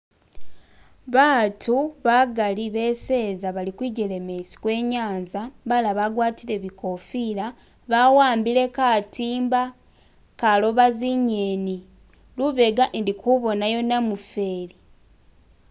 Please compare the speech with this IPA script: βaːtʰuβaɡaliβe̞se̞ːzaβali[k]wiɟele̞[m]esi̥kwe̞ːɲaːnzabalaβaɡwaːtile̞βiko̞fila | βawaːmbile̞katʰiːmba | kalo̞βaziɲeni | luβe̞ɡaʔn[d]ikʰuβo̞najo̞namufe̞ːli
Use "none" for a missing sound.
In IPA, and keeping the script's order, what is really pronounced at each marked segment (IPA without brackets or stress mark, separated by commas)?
k, m, d